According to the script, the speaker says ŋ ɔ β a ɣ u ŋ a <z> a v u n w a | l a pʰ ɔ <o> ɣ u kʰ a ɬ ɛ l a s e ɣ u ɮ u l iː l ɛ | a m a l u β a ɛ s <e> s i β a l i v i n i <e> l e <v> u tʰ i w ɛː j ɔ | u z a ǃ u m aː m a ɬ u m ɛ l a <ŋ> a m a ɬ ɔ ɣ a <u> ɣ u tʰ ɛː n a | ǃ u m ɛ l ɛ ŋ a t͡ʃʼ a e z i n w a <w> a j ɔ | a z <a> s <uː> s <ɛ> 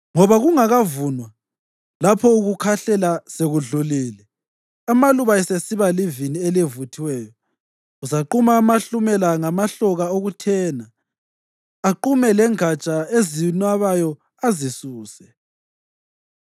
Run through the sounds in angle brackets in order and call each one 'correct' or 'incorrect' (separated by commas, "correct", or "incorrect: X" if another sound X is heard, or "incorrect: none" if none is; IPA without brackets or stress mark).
incorrect: ɣ, incorrect: u, correct, correct, correct, correct, incorrect: o, incorrect: β, incorrect: i, correct, correct